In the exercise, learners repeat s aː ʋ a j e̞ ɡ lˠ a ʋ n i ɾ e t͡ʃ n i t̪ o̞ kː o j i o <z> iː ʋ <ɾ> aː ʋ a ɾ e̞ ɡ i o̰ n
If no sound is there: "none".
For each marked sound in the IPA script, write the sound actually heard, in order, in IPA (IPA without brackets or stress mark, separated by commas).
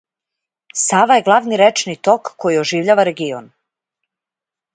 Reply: ʒ, ʎ